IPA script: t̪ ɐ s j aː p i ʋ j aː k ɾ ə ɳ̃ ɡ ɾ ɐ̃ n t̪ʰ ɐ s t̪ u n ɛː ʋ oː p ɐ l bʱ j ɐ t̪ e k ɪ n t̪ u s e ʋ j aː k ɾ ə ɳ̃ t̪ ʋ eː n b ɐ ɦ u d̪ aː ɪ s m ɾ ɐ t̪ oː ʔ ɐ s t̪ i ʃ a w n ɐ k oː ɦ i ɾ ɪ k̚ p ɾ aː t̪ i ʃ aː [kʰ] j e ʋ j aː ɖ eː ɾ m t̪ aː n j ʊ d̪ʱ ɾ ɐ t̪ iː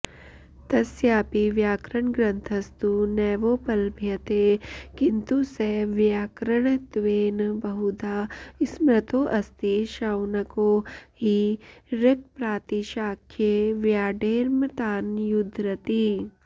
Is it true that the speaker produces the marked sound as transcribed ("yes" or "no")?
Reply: yes